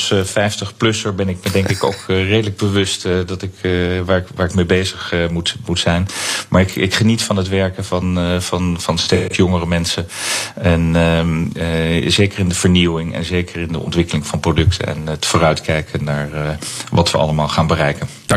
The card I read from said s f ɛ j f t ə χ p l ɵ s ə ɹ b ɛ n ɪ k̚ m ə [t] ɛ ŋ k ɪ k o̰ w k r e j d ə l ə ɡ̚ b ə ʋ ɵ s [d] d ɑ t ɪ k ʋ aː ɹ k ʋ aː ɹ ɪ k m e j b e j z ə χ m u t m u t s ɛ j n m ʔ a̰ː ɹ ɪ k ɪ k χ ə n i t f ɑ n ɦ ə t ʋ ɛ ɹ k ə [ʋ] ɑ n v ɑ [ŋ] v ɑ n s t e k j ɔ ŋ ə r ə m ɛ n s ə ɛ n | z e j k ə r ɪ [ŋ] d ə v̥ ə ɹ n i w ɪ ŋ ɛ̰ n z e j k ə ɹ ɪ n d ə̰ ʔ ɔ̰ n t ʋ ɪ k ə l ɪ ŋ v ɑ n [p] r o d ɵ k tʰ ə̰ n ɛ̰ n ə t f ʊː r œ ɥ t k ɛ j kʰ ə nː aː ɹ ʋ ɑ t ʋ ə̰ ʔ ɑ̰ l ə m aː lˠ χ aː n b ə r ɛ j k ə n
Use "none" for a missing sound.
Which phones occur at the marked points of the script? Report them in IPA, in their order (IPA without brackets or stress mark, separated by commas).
d, t, v, n, n, p